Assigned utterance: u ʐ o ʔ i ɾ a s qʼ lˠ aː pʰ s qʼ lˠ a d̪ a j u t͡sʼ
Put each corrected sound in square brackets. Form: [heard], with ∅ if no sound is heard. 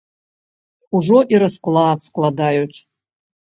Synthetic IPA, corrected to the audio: u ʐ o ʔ i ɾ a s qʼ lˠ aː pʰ s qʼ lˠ a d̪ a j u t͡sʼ